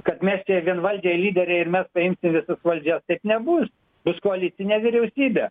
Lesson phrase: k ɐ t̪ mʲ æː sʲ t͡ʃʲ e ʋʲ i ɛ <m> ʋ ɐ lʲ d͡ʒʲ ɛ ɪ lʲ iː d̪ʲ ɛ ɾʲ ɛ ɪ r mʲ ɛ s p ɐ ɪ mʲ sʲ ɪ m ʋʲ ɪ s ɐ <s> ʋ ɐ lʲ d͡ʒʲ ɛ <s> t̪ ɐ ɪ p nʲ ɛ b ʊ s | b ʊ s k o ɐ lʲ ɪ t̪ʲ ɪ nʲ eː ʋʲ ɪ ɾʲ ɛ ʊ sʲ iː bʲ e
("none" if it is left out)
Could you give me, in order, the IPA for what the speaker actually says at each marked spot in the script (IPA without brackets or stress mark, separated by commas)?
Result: n, s, s